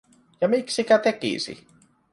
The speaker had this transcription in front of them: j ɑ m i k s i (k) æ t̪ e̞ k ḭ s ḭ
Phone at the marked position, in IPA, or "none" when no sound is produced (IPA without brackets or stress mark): k